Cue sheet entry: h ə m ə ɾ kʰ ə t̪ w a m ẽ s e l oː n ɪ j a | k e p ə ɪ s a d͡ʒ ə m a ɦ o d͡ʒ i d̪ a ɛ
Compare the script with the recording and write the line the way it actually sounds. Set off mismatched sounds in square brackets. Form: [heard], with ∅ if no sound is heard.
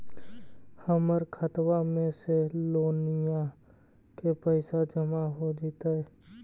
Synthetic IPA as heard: h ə m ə ɾ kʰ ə t̪ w a m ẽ s e l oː n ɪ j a | k e p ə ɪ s a d͡ʒ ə m a ɦ o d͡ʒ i [t̪] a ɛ